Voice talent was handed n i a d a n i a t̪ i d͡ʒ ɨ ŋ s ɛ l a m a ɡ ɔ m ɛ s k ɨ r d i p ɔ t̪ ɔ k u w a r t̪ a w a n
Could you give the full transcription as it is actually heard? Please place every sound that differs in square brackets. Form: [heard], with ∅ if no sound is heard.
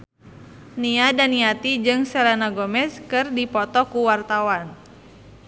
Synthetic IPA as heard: n i a d a n i a t̪ i d͡ʒ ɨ ŋ s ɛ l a [n] a ɡ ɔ m ɛ s k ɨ r d i p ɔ t̪ ɔ k u w a r t̪ a w a n